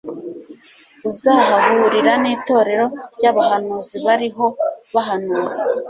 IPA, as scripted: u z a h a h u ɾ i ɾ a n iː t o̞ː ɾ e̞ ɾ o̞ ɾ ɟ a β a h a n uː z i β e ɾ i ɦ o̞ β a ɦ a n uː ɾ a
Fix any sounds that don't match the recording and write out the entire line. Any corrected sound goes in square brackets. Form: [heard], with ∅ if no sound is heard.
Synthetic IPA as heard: u z a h a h u ɾ i ɾ a n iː t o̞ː ɾ e̞ ɾ o̞ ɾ ɟ a β a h a n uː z i β [a] ɾ i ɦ o̞ β a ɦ a n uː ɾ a